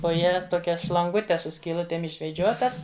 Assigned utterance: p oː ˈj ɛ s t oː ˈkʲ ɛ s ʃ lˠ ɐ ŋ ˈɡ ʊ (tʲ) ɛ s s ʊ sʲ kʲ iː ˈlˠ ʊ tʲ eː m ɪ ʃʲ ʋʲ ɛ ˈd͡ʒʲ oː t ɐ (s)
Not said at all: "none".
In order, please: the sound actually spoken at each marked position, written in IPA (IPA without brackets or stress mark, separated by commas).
tʲ, s